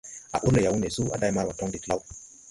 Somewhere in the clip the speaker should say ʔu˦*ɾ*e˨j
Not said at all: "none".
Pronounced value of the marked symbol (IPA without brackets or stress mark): l